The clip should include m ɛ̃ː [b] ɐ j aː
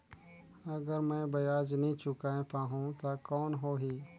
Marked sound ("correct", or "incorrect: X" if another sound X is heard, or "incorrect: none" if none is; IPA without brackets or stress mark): correct